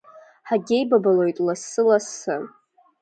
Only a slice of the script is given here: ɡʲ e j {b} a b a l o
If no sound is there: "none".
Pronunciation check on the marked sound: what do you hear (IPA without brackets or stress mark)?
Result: b